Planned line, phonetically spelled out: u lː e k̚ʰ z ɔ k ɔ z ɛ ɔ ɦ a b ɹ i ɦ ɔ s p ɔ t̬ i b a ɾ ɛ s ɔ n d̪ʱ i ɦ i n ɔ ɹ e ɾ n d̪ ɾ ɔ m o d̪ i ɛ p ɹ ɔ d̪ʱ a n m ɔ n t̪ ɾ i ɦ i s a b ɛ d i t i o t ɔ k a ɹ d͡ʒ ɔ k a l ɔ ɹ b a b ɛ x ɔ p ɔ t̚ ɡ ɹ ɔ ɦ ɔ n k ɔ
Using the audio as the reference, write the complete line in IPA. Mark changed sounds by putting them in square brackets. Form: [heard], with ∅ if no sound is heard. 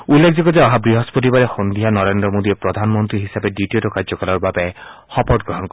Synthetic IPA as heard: u lː e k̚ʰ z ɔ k ɔ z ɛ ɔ ɦ a b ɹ i ɦ ɔ s p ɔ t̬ i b a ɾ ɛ [x] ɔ n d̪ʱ i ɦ [a] n ɔ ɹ e [∅] n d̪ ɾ ɔ m o d̪ i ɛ p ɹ ɔ d̪ʱ a n m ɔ n t̪ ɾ i ɦ i s a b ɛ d i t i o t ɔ k a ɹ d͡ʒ ɔ k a l ɔ ɹ b a b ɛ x ɔ p ɔ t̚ ɡ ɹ ɔ ɦ ɔ n k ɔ